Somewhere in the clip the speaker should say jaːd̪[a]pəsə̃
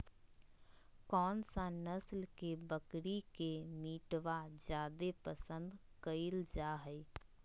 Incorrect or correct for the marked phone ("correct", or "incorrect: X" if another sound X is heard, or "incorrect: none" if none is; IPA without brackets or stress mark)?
incorrect: e